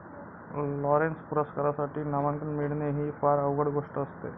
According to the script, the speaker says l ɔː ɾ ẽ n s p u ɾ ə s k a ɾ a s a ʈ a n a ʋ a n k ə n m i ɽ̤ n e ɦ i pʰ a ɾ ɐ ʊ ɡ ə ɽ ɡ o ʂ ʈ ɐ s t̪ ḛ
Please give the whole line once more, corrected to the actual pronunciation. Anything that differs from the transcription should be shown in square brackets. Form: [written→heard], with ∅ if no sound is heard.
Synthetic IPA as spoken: l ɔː ɾ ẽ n s p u ɾ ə s k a ɾ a s a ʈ [a→i] n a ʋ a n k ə n m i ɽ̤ n e ɦ i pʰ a ɾ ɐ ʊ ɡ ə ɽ ɡ o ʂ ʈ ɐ s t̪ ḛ